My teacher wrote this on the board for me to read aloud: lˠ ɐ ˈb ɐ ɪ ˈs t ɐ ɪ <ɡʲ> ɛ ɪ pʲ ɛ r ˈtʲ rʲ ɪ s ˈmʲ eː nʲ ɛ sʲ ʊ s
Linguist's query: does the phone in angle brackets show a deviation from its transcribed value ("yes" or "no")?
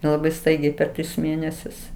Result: no